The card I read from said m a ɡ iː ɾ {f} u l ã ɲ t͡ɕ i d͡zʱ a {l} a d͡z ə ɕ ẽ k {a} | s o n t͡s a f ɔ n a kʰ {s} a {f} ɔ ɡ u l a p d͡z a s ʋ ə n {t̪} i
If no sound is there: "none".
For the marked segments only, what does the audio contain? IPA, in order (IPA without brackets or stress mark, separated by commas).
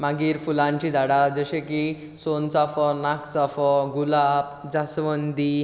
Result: f, ɽ, i, t͡s, f, d̪